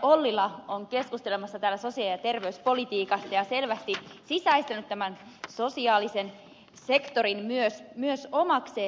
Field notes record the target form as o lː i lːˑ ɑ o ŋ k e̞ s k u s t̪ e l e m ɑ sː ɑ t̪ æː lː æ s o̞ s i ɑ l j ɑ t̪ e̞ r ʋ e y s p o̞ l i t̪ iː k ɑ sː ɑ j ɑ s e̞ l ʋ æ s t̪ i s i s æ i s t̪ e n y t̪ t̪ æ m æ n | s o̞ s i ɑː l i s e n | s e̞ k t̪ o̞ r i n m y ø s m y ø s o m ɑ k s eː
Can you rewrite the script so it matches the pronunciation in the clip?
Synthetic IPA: o lː i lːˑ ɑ o ŋ k e̞ s k u s t̪ e l e m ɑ sː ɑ t̪ æː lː æ s o̞ s i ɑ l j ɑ t̪ e̞ r ʋ e y s p o̞ l i t̪ iː k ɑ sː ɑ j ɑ s e̞ l ʋ æ s t̪ i s i s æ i s t̪ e n y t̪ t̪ æ m æ n | s o̞ s i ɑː l i s e n | s e̞ k t̪ o̞ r i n m y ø s m y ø s o m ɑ k s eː